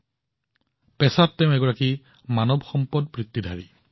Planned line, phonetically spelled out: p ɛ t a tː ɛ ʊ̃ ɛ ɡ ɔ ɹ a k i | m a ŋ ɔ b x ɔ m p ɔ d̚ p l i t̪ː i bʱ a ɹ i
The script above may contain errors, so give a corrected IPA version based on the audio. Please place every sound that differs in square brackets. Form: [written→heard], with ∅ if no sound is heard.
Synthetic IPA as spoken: p ɛ [t→s] a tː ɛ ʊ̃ ɛ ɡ ɔ ɹ a k i | m a [ŋ→n] ɔ b x ɔ m p ɔ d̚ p [l→ɹ] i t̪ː i [bʱ→dʱ] a ɹ i